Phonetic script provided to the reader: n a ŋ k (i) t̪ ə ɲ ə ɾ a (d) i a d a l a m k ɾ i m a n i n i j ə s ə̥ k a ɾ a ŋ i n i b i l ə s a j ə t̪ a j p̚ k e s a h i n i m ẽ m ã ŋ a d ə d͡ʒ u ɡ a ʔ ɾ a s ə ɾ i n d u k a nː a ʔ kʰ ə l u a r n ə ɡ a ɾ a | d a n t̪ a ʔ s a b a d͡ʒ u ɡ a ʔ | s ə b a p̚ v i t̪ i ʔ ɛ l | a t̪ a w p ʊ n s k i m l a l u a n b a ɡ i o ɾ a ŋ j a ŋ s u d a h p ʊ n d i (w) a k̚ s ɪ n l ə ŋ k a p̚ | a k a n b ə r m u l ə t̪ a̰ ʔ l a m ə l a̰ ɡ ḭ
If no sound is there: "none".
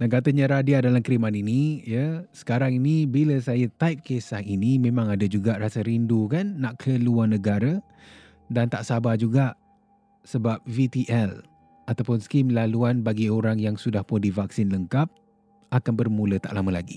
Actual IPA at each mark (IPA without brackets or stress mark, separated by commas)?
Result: a, d, v